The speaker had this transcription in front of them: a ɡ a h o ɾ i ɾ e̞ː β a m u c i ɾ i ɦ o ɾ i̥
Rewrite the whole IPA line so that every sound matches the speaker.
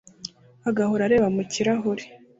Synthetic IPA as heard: a ɡ a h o ɾ a ɾ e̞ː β a m u c i ɾ a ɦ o ɾ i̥

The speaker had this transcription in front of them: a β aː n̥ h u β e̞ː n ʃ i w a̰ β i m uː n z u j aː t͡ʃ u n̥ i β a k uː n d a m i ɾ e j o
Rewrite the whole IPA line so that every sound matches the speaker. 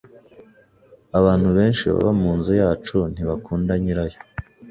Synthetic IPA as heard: a β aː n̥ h u β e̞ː n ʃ i β a̰ β a m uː n z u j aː t͡ʃ u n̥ i β a k uː n d a ɲ i ɾ a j o

